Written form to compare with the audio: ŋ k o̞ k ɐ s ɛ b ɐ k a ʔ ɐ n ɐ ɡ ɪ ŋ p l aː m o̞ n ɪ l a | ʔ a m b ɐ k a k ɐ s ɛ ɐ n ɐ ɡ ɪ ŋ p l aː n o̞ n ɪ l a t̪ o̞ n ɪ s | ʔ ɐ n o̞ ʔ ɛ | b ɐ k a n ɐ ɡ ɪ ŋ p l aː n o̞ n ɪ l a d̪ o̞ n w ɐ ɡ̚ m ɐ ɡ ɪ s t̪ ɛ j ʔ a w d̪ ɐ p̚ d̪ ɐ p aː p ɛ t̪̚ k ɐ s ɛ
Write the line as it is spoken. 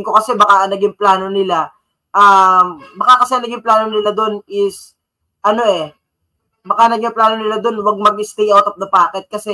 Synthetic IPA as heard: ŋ k o̞ k ɐ s ɛ b ɐ k a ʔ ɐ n ɐ ɡ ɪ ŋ p l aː n o̞ n ɪ l a | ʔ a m b ɐ k a k ɐ s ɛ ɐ n ɐ ɡ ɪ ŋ p l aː n o̞ n ɪ l a d̪ o̞ n ɪ s | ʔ ɐ n o̞ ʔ ɛ | b ɐ k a n ɐ ɡ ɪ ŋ p l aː n o̞ n ɪ l a d̪ o̞ n w ɐ ɡ̚ m ɐ ɡ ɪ s t̪ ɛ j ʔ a w t̪ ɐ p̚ d̪ ɐ p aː k ɛ t̪̚ k ɐ s ɛ